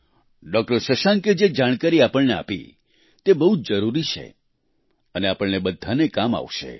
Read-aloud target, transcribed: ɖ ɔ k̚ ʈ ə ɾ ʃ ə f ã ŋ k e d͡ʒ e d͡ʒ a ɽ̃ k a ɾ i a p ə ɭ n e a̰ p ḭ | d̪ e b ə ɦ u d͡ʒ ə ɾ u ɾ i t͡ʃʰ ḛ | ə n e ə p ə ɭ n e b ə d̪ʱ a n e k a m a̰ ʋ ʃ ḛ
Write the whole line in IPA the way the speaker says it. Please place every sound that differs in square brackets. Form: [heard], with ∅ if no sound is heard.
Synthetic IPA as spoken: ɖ ɔ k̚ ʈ ə ɾ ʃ ə [ʃ] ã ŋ k e d͡ʒ e d͡ʒ a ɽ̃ k a ɾ i a p ə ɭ n e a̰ p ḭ | [t̪] e b ə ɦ u d͡ʒ ə ɾ u ɾ i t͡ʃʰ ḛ | ə n e [a] p ə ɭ n e b ə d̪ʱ a n e k a m a̰ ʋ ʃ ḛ